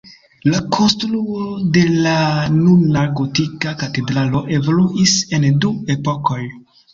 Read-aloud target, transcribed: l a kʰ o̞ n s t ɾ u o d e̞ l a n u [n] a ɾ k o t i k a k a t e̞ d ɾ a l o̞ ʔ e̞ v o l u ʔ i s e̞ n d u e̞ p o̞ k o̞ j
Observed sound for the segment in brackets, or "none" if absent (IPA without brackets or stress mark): n